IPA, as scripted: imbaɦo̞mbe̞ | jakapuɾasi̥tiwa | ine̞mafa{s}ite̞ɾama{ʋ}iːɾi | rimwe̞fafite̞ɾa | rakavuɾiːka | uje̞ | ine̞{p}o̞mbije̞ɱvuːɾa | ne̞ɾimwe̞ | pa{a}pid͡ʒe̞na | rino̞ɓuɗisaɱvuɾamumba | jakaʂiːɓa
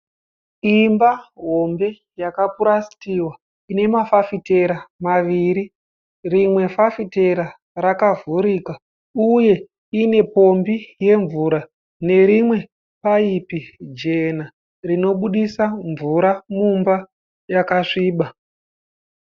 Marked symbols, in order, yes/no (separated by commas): no, yes, yes, no